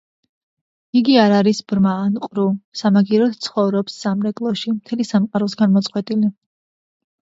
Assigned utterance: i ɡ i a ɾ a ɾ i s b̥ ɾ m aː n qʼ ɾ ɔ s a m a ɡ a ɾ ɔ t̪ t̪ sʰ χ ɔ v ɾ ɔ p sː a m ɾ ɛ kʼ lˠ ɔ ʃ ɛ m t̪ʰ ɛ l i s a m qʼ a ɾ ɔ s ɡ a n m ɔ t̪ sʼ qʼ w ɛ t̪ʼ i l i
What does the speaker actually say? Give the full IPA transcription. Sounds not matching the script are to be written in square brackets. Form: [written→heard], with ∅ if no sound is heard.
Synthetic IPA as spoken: i ɡ i a ɾ a ɾ i s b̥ ɾ m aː n qʼ ɾ [ɔ→u] s a m a ɡ [a→i] ɾ ɔ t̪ t̪ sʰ χ ɔ v ɾ ɔ p sː a m ɾ ɛ kʼ lˠ ɔ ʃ [ɛ→i] m t̪ʰ ɛ l i s a m qʼ a ɾ ɔ s ɡ a n m ɔ t̪ sʼ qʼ w ɛ t̪ʼ i l i